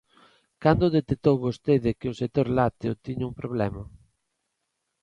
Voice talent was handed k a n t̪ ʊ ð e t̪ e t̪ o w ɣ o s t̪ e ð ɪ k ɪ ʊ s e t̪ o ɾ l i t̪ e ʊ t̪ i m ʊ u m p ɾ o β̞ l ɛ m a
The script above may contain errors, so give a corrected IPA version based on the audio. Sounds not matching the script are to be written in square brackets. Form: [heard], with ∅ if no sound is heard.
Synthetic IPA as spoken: k a n [d̪] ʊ ð e t̪ e t̪ o w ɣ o s t̪ e ð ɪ k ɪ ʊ s e t̪ o ɾ l [a] t̪ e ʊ t̪ i [ɲ] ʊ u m p ɾ o β̞ l ɛ m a